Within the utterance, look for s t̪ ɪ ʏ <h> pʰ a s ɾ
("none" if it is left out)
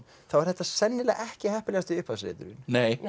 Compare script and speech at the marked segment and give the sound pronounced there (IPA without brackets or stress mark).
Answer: h